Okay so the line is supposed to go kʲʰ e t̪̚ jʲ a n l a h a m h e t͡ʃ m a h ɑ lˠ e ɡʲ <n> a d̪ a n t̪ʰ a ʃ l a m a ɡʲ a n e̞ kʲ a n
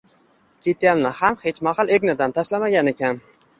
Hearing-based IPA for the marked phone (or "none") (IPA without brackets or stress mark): n